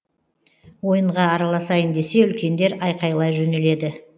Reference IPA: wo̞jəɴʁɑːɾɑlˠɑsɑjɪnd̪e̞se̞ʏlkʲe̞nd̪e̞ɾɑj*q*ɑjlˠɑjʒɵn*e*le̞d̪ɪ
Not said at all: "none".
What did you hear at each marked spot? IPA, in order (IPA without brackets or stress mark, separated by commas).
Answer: q, e